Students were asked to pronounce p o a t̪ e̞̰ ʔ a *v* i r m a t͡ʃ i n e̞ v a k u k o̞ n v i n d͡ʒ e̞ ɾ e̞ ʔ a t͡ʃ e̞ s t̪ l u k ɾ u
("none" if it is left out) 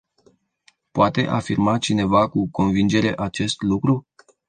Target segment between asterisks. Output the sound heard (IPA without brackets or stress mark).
f